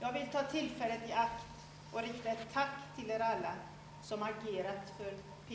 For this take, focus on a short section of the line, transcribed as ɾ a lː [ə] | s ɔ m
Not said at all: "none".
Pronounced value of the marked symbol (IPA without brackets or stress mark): a